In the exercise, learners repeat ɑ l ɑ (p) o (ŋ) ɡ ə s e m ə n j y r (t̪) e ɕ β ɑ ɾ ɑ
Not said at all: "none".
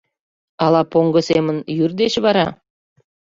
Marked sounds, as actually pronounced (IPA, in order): p, ŋ, d̪

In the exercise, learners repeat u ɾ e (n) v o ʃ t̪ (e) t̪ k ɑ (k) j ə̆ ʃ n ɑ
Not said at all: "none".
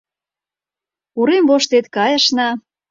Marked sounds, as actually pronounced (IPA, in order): m, e, none

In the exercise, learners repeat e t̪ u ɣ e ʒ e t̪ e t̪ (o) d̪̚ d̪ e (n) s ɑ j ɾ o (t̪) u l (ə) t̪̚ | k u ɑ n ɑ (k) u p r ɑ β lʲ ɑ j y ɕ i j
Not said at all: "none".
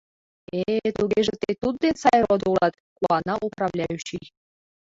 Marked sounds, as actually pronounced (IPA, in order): u, n, d̪, ɑ, ʔ

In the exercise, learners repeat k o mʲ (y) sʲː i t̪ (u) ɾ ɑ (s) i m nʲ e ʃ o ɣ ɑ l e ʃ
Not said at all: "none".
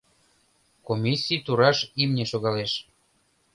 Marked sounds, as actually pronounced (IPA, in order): i, u, ʃ

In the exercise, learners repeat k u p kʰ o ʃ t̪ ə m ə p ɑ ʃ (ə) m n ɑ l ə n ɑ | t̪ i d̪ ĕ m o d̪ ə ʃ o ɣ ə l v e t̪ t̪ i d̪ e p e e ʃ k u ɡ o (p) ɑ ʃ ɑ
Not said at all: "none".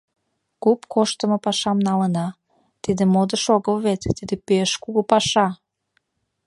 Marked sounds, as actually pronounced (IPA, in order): ɑ, p

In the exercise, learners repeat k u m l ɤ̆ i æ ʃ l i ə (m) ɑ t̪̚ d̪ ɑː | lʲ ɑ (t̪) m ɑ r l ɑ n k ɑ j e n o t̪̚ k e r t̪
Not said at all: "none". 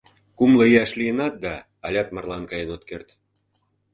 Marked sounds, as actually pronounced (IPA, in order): n, t̪

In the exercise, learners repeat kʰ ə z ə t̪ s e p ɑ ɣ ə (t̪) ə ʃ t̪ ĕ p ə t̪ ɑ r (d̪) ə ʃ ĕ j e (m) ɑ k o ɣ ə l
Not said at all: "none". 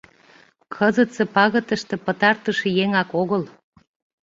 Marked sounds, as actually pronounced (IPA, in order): t̪, t̪, ŋ

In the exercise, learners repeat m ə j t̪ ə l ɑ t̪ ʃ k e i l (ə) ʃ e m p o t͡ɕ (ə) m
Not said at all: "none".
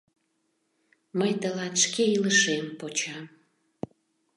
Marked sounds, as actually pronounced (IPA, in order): ə, ɑ

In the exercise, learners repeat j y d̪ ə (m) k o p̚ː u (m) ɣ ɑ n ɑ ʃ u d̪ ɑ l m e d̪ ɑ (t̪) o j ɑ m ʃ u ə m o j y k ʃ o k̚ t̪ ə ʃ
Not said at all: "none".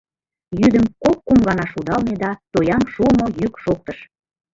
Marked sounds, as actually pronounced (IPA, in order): m, m, t̪

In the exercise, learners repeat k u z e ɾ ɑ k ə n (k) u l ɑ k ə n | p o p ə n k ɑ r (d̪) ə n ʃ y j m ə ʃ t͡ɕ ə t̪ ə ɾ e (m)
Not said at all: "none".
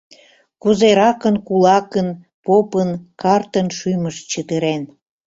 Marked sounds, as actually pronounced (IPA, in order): k, t̪, n

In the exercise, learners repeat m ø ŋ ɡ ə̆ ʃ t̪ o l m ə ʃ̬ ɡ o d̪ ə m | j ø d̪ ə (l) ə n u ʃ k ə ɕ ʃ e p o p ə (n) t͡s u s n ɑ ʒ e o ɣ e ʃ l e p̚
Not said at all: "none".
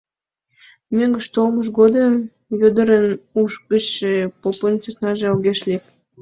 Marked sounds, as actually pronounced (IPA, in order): ɾ, n

